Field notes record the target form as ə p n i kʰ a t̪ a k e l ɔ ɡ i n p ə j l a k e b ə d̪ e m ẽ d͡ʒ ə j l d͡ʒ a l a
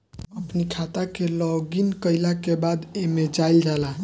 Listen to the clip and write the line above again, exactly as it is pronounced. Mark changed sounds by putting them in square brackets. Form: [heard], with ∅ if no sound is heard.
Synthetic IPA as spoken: ə p n i kʰ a t̪ a k e l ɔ ɡ i n [k] ə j l a k e b [a] d̪ e m [e] d͡ʒ [a] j l d͡ʒ a l a